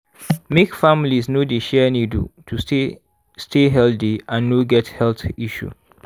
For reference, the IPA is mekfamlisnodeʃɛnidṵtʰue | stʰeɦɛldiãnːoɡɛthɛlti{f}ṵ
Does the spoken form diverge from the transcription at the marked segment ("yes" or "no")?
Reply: yes